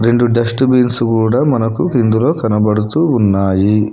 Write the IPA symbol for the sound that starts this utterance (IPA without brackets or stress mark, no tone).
ɾ